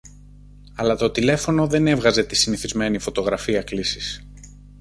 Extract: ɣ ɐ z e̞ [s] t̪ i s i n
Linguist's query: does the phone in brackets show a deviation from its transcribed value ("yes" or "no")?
yes